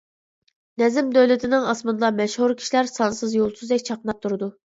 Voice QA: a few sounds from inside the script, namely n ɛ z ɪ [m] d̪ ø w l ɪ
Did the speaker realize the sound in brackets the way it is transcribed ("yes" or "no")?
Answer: yes